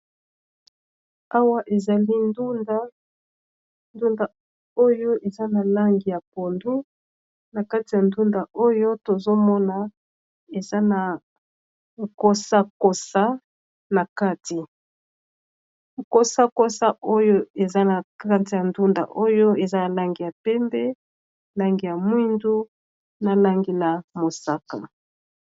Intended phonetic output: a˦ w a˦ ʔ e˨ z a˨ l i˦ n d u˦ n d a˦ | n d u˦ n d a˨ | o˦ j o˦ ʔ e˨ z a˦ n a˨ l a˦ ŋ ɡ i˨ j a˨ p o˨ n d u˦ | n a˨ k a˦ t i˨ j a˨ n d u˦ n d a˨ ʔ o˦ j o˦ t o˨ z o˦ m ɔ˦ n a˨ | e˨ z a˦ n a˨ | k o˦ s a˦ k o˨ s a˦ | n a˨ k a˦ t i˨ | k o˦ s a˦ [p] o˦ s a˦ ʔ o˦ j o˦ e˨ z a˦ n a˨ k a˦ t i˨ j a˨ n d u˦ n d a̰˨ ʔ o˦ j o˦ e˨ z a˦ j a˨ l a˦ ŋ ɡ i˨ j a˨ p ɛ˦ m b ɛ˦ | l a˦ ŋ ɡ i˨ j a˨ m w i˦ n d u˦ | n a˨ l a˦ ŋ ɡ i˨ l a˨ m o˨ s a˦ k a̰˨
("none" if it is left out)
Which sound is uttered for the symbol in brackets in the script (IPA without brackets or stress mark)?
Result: k